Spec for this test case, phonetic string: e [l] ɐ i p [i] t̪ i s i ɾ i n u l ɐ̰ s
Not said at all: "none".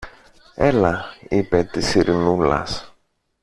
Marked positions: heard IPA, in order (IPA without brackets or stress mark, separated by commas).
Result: l, e